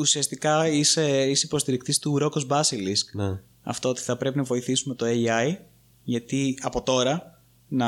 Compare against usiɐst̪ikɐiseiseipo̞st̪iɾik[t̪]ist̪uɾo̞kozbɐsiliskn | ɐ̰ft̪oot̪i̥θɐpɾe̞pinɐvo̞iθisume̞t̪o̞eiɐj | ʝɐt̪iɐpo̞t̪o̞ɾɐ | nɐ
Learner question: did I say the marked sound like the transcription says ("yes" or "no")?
yes